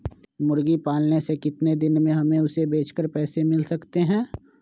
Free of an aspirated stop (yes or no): yes